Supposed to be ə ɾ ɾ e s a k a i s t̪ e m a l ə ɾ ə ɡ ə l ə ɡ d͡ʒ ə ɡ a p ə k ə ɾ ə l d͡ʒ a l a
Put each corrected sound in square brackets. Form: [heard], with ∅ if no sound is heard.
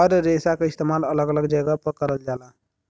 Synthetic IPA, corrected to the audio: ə ɾ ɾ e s a k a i s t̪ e m a l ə [l] ə ɡ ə l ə ɡ d͡ʒ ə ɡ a p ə k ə ɾ ə l d͡ʒ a l a